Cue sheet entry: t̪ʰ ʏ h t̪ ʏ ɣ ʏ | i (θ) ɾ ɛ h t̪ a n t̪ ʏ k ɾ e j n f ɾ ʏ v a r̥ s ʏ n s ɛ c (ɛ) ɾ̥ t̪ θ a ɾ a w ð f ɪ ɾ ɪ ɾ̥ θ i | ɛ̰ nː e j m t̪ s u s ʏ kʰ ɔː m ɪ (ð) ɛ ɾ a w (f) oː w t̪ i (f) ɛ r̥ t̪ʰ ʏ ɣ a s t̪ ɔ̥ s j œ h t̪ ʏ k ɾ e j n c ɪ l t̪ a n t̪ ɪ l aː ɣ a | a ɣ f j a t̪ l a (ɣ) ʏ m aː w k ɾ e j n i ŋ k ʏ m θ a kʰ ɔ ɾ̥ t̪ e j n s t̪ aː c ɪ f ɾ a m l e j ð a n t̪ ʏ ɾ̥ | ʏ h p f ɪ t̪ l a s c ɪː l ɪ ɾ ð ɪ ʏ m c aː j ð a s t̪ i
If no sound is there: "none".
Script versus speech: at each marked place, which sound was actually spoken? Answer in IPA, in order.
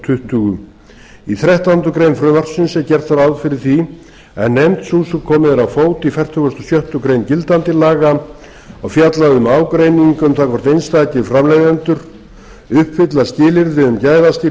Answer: θ, ɛ, ð, f, f, ð

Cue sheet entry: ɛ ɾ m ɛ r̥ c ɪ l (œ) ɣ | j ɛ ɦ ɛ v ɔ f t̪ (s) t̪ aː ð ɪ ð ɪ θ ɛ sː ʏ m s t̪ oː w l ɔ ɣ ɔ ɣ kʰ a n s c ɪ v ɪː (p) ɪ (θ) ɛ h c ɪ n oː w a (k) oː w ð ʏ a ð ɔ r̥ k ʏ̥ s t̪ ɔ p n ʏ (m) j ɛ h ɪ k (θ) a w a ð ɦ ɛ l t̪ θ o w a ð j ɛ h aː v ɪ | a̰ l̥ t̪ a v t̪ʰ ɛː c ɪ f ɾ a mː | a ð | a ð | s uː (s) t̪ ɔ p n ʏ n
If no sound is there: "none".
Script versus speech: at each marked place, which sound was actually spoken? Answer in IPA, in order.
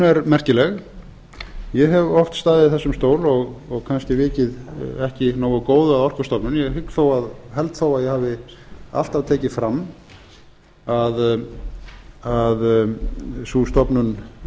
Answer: ɛ, s, c, ð, k, n, θ, s

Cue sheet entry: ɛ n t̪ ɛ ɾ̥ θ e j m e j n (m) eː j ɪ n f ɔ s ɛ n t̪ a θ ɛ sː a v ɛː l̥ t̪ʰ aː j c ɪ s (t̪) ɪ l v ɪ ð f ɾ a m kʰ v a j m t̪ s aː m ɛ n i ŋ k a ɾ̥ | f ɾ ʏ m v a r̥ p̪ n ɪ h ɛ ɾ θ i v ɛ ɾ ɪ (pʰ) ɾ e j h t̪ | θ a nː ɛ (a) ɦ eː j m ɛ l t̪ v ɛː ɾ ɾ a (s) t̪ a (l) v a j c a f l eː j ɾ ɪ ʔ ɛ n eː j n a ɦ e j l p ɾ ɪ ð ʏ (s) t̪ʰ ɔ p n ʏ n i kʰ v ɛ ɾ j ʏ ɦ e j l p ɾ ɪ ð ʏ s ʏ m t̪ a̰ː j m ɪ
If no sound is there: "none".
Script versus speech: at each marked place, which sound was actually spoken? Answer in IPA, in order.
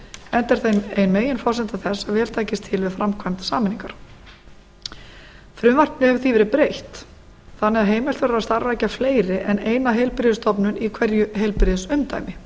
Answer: m, t̪ʰ, p, a, s, ɾ, s

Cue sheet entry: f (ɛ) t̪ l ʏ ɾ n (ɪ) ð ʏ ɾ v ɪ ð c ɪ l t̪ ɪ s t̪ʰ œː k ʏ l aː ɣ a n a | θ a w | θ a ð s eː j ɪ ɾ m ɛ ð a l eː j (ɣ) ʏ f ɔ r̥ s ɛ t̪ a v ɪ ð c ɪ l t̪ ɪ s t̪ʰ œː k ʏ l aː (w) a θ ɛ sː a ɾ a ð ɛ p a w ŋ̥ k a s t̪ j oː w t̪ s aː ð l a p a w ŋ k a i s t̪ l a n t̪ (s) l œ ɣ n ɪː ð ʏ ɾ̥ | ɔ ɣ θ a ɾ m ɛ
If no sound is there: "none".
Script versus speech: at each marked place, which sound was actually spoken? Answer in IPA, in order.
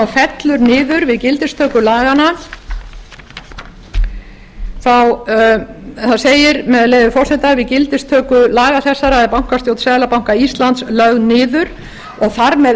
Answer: ɛ, ɪː, ð, ɣ, s

